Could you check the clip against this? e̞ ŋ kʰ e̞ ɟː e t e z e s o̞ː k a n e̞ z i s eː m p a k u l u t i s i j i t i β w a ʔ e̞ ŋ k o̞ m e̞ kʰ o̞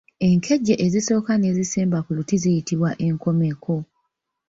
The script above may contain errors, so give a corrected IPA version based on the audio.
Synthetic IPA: e̞ ŋ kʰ e̞ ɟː e ʔ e z i s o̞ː k a n e̞ z i s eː m b a k u l u t i z i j i t i β w a ʔ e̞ ŋ k o̞ m e̞ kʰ o̞